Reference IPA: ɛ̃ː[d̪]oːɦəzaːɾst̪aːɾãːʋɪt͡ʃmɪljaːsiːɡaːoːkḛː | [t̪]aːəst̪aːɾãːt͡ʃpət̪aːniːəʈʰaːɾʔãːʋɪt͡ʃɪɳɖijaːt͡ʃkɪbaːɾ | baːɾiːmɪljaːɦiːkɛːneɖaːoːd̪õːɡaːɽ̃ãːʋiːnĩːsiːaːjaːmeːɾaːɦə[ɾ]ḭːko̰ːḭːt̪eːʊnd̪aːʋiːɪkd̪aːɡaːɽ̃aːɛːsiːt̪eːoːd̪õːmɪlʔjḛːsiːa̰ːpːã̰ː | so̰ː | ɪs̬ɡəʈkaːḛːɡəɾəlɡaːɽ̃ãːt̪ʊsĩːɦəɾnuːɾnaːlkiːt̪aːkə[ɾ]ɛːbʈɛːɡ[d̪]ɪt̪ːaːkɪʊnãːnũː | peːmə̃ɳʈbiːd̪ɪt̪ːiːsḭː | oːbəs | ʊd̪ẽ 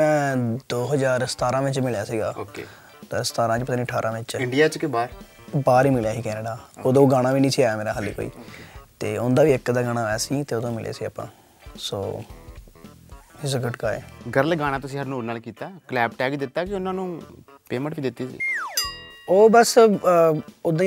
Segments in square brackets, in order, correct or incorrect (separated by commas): correct, correct, incorrect, incorrect, correct